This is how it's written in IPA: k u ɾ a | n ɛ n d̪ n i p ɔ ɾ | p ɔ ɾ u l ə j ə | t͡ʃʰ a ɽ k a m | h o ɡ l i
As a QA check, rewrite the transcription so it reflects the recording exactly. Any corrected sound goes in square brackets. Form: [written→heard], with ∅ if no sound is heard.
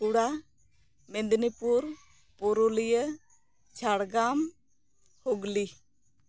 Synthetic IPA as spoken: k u [ɾ→ɽ] a | [n→m] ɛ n d̪ n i p [ɔ→u] ɾ | p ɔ ɾ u l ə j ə | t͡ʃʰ a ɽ [k→ɡ] a m | h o ɡ l i